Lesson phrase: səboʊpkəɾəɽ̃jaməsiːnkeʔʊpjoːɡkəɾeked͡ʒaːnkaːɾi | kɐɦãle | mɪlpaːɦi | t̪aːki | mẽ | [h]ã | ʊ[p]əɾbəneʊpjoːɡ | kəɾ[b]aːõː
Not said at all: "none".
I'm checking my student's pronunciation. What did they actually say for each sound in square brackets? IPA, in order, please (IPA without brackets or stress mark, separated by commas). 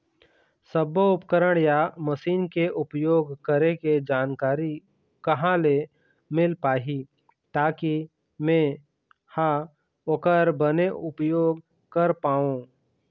h, k, p